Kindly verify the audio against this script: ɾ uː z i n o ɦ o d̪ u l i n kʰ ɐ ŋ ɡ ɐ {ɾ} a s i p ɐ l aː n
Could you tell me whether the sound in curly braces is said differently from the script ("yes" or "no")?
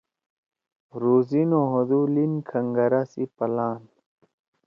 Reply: no